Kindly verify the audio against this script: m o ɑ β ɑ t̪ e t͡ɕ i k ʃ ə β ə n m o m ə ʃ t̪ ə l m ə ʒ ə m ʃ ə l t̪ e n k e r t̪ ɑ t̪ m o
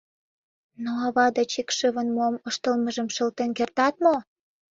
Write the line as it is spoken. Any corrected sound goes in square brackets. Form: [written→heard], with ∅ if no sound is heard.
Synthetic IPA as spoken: [m→n] o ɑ β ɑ [t̪→d̪] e t͡ɕ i k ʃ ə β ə n m o m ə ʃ t̪ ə l m ə ʒ ə m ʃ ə l t̪ e n k e r t̪ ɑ t̪ m o